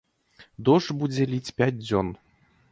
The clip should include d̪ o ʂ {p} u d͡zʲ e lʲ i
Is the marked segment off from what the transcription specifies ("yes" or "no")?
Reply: yes